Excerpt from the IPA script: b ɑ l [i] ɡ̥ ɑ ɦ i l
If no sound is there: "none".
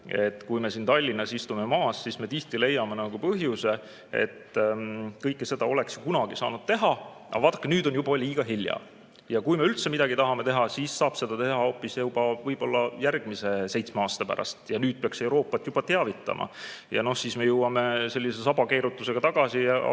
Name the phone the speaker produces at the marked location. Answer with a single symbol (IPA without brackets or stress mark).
iː